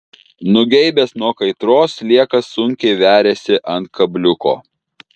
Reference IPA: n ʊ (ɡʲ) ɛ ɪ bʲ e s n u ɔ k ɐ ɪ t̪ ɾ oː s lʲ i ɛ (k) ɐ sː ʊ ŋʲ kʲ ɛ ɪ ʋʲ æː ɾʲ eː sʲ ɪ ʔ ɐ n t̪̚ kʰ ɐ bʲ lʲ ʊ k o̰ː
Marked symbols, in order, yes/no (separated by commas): yes, yes